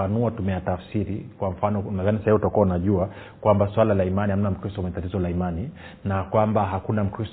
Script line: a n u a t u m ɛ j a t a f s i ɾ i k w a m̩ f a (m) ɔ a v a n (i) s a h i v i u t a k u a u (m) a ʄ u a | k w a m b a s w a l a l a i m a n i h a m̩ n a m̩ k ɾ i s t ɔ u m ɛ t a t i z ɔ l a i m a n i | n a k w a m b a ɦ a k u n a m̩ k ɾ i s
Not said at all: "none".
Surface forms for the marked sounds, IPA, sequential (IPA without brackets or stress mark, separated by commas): n, i, n